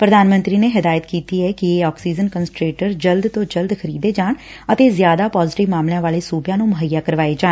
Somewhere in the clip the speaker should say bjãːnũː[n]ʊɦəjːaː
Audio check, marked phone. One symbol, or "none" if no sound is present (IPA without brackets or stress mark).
m